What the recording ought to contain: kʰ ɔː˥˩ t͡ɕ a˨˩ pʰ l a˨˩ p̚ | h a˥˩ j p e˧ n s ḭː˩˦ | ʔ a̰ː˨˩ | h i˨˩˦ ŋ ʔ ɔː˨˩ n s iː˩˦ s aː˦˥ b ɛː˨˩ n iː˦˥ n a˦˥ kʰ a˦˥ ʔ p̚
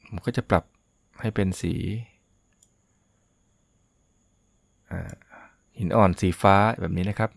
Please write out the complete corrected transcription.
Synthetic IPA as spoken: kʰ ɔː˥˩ t͡ɕ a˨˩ p l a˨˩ p̚ | h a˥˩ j p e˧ n s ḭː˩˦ | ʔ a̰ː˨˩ | h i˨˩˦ n ʔ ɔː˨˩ n s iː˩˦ f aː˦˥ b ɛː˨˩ n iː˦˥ n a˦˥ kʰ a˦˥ p̚